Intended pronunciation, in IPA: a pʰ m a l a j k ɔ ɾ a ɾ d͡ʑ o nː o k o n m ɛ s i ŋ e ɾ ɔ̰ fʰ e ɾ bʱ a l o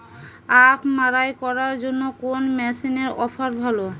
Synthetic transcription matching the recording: a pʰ m a ɾ a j k ɔ ɾ a ɾ d͡ʑ o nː o k o n m ɛ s i n e ɾ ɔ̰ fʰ a ɾ bʱ a l o